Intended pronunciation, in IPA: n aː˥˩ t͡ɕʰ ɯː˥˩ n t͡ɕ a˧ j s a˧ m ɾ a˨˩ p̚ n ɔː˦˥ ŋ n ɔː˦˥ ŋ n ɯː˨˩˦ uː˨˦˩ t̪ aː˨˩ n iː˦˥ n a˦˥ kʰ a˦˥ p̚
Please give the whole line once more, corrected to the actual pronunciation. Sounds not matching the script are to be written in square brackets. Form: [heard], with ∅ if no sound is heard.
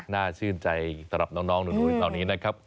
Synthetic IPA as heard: n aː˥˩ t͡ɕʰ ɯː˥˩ n t͡ɕ a˧ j s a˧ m ɾ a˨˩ p̚ n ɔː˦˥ ŋ n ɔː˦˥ ŋ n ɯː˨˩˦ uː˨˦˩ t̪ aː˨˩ n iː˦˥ n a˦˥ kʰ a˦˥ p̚